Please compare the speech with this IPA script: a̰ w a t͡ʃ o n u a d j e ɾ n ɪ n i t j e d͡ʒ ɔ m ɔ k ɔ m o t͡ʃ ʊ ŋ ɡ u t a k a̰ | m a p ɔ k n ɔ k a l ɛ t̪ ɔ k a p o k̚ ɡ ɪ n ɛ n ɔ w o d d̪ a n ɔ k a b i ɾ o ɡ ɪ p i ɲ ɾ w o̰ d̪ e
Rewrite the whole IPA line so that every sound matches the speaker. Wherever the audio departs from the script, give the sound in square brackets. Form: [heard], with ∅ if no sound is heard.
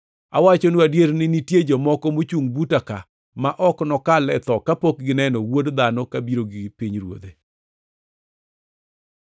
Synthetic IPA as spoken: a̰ w a t͡ʃ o n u a d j e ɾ n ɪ n i t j e d͡ʒ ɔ m ɔ k ɔ m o t͡ʃ [u] ŋ [b] u t a k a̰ | m a [ʔ] ɔ k n ɔ k a l ɛ t̪ ɔ k a p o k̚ ɡ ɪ n ɛ n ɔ w o d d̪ a n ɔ k a b i ɾ o ɡ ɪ p i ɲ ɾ w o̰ d̪ e